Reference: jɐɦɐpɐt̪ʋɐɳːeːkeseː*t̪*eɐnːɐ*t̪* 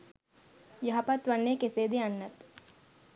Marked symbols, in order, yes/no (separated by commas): no, yes